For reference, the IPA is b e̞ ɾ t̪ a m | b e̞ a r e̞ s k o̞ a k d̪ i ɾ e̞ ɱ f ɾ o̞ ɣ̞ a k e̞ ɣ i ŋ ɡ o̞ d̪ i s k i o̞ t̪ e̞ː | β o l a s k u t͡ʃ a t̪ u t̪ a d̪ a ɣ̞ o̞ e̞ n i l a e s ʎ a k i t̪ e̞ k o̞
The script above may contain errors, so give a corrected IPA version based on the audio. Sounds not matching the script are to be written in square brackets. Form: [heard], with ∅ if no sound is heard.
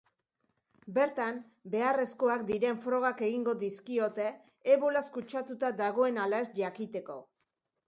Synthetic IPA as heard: b e̞ ɾ t̪ a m | b e̞ a r e̞ s k o̞ a k d̪ i ɾ e̞ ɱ f ɾ o̞ ɣ̞ a k e̞ ɣ i ŋ ɡ o̞ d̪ i s k i o̞ t̪ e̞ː | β o l a s k u t͡ʃ a t̪ u t̪ a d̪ a ɣ̞ o̞ e̞ n [a] l a e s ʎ a k i t̪ e̞ k o̞